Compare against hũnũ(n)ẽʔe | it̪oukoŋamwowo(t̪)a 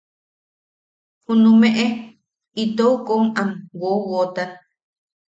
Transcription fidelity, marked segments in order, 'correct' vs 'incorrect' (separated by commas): incorrect, correct